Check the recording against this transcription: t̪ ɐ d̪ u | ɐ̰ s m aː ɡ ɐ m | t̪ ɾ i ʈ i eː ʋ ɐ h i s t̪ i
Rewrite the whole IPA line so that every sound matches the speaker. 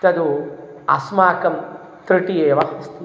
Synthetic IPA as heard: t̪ ɐ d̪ u | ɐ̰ s m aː k ɐ m | t̪ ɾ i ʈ i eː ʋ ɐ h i s t̪ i